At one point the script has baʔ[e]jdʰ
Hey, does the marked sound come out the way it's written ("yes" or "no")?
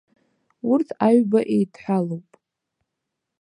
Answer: yes